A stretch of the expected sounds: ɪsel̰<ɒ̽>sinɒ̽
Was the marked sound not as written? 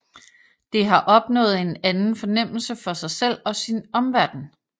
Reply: no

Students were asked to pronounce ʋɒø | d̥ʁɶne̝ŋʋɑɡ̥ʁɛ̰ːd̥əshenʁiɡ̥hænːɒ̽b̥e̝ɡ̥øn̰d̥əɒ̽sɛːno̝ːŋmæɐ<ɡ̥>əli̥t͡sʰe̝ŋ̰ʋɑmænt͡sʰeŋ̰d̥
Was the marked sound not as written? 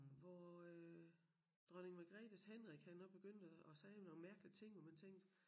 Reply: no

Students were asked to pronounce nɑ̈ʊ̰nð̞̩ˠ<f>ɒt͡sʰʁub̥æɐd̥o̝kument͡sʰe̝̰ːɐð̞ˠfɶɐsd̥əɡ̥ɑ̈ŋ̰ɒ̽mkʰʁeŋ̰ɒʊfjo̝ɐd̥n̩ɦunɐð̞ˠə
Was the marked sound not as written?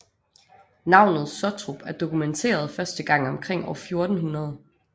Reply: yes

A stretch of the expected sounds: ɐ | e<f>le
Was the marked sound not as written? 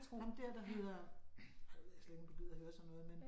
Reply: yes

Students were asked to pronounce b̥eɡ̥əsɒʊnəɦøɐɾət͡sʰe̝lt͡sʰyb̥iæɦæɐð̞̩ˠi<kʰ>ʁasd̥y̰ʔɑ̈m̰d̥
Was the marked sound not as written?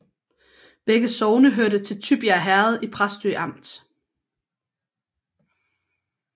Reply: yes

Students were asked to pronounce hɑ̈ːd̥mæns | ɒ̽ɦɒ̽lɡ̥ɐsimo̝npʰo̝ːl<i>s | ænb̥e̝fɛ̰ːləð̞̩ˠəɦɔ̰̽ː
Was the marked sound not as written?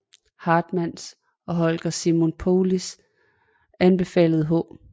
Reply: no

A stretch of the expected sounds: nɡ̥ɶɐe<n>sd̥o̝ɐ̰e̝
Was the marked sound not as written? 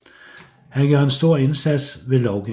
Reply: no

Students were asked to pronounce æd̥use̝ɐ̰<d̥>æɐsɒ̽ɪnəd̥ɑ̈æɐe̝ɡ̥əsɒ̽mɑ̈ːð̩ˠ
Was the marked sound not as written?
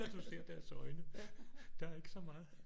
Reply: no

